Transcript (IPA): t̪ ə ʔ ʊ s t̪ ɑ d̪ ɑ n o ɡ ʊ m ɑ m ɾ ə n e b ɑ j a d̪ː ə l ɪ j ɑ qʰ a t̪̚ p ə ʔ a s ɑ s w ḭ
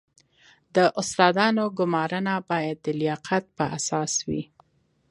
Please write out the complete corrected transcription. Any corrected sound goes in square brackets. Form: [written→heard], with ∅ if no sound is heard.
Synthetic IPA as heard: [t̪→d̪] ə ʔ ʊ s t̪ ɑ d̪ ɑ n o ɡ ʊ m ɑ [m→∅] ɾ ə n [e→a] b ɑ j a d̪ː ə l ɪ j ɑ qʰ a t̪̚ p ə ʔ a s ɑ s w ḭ